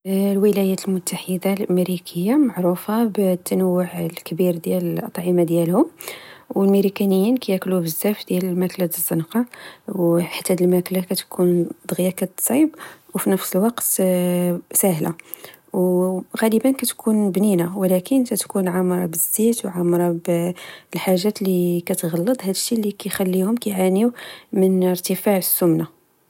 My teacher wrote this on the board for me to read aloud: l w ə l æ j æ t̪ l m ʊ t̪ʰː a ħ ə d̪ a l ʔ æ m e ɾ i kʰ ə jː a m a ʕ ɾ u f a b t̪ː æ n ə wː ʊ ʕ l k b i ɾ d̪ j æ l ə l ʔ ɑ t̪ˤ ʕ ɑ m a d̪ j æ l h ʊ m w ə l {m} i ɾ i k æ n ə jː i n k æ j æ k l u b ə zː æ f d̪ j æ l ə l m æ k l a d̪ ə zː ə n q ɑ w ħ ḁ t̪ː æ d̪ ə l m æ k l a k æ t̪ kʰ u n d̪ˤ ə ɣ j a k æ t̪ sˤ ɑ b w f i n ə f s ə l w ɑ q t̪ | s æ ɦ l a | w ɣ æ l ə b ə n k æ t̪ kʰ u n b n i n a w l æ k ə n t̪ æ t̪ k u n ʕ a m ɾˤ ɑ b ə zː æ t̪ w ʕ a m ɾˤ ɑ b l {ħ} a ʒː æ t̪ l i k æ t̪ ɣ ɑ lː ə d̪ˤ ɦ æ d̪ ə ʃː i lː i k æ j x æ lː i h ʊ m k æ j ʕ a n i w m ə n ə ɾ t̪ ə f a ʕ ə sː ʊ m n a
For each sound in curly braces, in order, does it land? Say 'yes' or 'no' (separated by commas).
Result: yes, yes